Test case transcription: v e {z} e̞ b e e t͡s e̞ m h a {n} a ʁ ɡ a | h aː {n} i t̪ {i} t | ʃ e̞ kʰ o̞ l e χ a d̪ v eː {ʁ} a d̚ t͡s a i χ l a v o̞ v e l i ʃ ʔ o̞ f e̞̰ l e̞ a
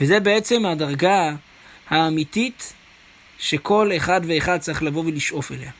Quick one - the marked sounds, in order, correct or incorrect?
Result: correct, incorrect: d, incorrect: m, correct, incorrect: χ

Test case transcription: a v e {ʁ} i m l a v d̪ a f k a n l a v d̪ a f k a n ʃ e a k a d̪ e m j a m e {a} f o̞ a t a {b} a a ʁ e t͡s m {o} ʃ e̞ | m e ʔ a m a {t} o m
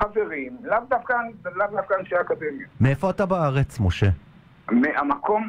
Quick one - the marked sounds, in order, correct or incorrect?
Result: correct, incorrect: e, correct, correct, incorrect: k

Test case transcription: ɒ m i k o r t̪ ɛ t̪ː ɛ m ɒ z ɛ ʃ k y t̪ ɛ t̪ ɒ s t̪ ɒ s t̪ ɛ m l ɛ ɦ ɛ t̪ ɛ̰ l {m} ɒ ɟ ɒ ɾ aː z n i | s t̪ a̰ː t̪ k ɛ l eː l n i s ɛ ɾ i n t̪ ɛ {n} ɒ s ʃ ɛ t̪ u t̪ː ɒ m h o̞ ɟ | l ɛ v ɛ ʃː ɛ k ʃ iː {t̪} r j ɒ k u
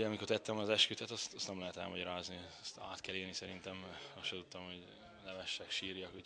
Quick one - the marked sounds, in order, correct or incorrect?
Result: correct, incorrect: m, incorrect: none

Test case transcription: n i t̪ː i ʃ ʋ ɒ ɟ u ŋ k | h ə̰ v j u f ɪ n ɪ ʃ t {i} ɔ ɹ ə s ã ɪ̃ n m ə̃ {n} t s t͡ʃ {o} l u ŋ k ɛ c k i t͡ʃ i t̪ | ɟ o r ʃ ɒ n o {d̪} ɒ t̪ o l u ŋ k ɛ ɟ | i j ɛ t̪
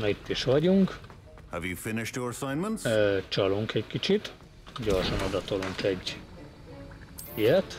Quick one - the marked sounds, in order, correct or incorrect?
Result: incorrect: j, correct, incorrect: ɒ, correct

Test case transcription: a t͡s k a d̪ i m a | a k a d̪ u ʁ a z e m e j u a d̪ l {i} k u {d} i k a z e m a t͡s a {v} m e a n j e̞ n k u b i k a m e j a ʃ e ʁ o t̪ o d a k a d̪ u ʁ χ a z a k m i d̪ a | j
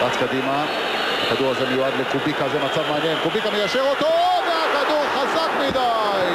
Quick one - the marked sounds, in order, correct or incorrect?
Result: incorrect: e, incorrect: b, correct

